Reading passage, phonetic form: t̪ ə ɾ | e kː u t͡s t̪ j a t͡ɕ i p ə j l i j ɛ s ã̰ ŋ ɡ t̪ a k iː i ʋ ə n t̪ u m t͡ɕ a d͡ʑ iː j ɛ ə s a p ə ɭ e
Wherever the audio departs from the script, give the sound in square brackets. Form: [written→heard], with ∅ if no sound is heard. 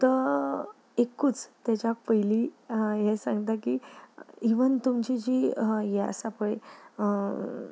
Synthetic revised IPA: t̪ ə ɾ | e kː u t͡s t̪ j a t͡ɕ [i→a] p ə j l i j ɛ s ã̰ ŋ ɡ t̪ a k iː i ʋ ə n t̪ u m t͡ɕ [a→i] d͡ʑ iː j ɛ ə s a p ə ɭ e